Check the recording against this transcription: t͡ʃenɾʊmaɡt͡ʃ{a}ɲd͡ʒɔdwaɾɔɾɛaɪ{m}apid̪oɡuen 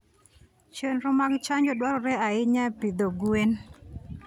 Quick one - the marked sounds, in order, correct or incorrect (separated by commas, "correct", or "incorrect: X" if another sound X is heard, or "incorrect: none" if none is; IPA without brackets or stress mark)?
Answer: correct, incorrect: ɲ